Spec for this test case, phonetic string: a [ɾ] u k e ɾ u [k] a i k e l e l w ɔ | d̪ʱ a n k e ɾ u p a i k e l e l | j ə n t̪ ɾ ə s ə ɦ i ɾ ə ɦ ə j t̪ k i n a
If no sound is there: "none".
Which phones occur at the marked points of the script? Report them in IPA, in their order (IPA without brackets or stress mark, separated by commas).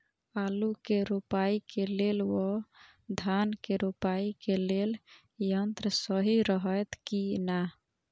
l, p